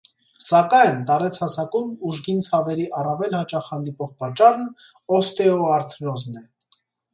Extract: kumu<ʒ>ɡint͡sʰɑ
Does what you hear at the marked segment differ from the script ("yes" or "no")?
no